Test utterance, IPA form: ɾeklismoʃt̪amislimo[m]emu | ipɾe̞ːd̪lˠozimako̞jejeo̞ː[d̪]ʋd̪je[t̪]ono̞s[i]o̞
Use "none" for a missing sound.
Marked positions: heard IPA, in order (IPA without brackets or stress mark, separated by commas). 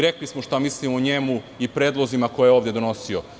ɲ, none, d̪, i